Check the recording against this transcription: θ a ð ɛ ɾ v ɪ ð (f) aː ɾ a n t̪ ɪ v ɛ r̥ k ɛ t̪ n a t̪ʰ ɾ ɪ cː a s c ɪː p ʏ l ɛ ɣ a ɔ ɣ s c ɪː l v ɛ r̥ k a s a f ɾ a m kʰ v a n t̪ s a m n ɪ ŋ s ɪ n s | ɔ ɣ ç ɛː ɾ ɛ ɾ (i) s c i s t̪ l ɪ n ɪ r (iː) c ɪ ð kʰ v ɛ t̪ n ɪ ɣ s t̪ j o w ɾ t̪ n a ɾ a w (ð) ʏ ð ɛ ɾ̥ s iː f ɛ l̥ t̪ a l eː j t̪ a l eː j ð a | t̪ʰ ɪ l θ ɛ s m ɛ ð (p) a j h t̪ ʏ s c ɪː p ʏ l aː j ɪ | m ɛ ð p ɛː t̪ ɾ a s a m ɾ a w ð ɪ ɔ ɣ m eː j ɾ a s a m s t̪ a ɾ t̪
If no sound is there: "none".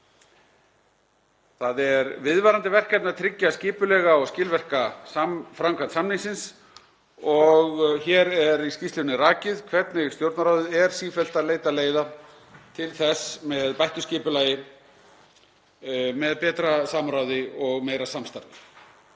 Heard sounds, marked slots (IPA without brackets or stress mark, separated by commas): v, i, aː, ð, p